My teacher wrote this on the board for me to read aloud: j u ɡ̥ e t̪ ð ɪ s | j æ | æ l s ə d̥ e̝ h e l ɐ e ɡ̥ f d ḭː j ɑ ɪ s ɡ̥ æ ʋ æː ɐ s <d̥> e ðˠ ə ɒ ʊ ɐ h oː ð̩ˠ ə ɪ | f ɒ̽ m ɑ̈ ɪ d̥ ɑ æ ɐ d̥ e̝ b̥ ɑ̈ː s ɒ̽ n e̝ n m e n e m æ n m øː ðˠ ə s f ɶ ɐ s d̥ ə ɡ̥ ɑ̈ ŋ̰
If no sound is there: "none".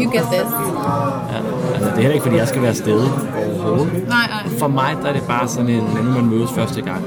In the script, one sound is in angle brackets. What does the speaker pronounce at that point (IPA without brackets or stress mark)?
d̥